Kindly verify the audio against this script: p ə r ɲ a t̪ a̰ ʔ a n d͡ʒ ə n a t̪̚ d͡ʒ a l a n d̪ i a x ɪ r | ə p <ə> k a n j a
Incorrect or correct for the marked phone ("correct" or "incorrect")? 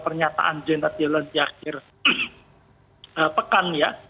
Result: correct